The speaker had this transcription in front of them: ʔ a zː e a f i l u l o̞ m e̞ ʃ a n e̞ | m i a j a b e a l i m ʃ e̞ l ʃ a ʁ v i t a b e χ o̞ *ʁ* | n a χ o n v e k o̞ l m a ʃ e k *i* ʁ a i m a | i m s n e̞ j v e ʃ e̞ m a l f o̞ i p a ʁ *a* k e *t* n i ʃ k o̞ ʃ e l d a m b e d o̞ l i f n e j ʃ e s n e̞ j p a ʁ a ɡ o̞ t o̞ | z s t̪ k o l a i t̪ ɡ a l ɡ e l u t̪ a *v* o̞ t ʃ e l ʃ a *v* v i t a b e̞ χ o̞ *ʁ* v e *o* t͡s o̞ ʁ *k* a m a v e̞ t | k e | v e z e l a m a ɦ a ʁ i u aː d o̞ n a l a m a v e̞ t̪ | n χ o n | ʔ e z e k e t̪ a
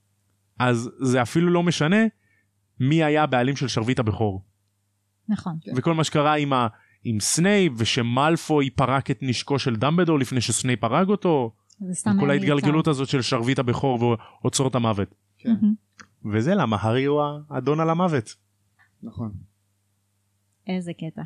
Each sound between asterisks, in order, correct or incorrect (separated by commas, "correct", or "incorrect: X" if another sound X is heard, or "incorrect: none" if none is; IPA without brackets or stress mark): correct, incorrect: a, correct, correct, incorrect: z, incorrect: ʁ, correct, correct, incorrect: t